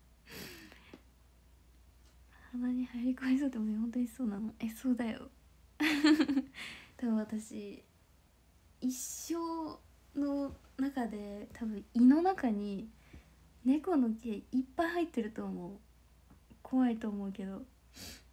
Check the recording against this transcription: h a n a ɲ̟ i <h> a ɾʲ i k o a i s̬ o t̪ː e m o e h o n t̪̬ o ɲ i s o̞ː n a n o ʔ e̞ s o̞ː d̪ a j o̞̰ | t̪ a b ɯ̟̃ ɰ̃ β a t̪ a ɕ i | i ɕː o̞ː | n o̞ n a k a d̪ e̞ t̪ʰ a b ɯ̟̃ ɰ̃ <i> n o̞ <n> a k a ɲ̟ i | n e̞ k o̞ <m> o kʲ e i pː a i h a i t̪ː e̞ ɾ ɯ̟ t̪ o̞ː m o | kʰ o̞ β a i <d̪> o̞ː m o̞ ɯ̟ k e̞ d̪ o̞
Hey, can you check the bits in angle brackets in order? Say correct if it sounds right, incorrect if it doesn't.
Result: correct, correct, correct, incorrect, incorrect

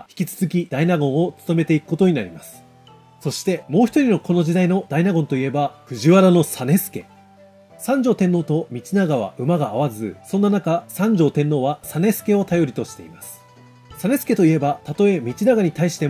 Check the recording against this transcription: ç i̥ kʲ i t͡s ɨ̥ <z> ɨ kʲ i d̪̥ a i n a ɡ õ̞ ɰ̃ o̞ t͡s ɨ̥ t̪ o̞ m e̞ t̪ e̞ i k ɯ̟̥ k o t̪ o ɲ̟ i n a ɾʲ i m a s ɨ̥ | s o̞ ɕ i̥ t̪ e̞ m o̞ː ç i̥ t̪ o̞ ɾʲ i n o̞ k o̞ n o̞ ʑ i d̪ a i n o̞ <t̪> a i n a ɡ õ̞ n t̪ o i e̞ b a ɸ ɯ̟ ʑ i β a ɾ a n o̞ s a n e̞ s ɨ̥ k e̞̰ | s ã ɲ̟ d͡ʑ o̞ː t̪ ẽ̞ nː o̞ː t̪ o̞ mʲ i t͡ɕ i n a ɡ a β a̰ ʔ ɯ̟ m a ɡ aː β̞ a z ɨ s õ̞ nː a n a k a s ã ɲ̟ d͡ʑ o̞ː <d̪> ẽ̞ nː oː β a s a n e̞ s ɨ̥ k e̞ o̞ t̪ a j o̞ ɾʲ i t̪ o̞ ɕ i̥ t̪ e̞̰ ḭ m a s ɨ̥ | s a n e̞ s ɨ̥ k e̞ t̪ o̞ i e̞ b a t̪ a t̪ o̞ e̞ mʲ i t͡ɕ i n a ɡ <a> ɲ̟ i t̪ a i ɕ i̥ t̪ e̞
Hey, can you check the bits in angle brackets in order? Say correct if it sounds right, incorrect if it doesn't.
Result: correct, incorrect, incorrect, correct

